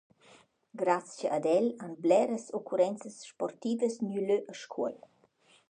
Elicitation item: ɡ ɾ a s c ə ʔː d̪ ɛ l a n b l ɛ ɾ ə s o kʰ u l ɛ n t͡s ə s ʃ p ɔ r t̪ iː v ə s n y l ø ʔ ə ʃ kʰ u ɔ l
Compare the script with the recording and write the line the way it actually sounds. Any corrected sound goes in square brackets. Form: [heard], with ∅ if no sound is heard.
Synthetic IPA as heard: ɡ ɾ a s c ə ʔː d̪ ɛ l a n b l ɛ ɾ ə s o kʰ u [ɾ] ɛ n t͡s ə s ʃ p ɔ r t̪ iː v ə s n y l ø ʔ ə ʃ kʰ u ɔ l